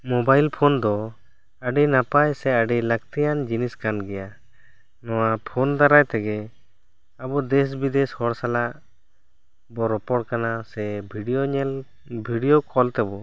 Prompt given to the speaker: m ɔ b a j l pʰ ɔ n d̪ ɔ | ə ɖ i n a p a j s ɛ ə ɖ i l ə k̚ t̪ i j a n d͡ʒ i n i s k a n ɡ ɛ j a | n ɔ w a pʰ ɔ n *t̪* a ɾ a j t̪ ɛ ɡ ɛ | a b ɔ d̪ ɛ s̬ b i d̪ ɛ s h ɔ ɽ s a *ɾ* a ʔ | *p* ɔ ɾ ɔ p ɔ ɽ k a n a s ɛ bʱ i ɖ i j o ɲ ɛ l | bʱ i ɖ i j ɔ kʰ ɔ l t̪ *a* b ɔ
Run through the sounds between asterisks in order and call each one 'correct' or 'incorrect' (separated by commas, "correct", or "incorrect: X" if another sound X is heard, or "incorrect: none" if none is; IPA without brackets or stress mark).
incorrect: d̪, incorrect: l, incorrect: b, incorrect: ɛ